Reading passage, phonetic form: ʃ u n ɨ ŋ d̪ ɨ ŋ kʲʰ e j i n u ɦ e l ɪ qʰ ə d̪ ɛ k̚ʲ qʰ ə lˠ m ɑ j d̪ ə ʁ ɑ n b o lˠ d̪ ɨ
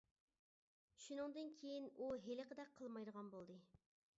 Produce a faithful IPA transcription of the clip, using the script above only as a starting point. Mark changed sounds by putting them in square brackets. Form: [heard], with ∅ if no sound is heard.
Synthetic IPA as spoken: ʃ u n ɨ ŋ d̪ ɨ [n] kʲʰ e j i n u ɦ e l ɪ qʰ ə d̪ ɛ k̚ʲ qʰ ə lˠ m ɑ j d̪ ə ʁ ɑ n b o lˠ d̪ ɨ